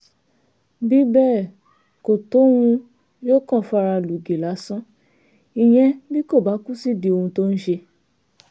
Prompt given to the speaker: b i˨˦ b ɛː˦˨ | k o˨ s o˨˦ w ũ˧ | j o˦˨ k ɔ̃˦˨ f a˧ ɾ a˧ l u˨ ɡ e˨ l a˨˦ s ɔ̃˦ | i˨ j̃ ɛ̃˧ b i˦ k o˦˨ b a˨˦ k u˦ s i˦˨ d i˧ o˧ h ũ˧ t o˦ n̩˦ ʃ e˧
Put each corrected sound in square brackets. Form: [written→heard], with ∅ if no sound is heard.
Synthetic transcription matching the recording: b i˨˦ b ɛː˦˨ | k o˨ [s→t] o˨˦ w ũ˧ | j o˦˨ k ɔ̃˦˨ f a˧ ɾ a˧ l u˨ ɡ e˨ l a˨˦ s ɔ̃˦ | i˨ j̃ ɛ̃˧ b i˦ k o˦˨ b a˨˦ k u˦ s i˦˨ d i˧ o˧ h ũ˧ t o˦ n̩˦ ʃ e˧

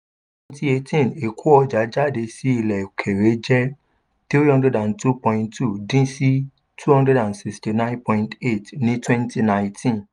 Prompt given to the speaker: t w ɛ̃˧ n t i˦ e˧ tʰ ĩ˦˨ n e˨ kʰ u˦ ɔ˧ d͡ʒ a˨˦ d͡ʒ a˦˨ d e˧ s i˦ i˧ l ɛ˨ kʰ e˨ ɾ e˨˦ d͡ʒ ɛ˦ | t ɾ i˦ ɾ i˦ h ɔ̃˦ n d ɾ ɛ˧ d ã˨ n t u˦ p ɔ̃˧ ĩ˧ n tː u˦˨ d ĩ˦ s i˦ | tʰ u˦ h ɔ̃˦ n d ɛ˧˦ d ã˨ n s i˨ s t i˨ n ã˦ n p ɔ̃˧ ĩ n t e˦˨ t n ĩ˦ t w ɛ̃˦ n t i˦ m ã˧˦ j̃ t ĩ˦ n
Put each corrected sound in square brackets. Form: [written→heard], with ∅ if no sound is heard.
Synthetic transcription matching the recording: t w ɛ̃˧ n t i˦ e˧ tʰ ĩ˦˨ n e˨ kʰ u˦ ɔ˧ d͡ʒ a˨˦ d͡ʒ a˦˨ d e˧ s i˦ i˧ l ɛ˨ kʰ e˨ ɾ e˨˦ d͡ʒ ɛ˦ | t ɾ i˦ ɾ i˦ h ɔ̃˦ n d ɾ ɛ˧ d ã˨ n t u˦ p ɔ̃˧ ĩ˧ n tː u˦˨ d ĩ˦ s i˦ | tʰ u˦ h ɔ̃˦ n d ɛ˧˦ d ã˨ n s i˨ s t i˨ n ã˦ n p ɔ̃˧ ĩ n t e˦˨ t n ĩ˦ t w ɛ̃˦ n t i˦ [m→n] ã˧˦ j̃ t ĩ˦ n

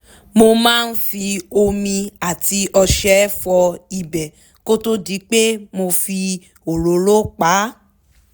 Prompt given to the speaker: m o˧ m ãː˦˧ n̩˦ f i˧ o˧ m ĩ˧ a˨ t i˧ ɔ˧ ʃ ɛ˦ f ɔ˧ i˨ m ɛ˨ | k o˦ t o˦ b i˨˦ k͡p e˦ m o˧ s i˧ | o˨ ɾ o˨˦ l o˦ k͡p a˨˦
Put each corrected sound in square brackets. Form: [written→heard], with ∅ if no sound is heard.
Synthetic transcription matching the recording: m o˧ m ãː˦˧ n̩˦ f i˧ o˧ m ĩ˧ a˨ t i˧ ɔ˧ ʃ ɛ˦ f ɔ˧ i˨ [m→b] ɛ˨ | k o˦ t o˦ [b→d] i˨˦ k͡p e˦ m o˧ [s→f] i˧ | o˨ ɾ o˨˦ l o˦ k͡p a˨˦

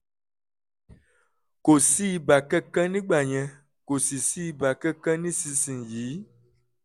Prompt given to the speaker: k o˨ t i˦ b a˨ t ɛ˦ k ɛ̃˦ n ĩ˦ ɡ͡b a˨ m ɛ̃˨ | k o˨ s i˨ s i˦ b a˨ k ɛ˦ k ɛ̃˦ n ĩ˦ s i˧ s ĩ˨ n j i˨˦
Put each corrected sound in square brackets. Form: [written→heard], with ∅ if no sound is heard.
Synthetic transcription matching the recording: k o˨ [t→s] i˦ b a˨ [t→k] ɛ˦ k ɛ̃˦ n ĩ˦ ɡ͡b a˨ [m→ɲ] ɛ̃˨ | k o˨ s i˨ s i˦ b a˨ k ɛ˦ k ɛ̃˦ n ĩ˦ s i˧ s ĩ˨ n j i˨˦

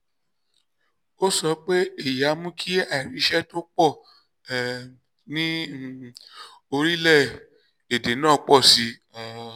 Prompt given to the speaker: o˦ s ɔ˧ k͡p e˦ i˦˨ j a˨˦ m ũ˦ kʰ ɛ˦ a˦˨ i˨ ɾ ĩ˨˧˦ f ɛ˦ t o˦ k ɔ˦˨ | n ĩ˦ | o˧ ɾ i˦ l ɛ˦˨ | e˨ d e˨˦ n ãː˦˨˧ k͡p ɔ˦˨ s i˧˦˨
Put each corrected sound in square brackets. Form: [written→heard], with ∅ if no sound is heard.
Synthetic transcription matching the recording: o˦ s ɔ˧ k͡p e˦ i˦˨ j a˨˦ m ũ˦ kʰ [ɛ˦→i˦] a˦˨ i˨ ɾ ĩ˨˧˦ [f→ʃ] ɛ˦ t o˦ [k→k͡p] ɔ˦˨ | n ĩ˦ | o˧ ɾ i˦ l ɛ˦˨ | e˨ d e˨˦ n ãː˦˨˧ k͡p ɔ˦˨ s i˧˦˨

